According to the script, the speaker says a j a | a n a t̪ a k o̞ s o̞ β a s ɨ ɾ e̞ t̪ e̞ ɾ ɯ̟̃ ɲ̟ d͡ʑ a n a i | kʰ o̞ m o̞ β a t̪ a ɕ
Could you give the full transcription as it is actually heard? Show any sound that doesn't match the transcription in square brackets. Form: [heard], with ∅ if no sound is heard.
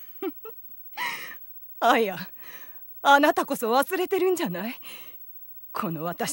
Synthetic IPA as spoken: a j a | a n a t̪ a k o̞ s o̞ β a s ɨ ɾ e̞ t̪ e̞ ɾ ɯ̟̃ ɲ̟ d͡ʑ a n a i | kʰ o̞ [n] o̞ β a t̪ a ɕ